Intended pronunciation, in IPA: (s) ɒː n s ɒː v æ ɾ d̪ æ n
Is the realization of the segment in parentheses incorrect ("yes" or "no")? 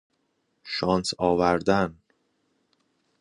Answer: yes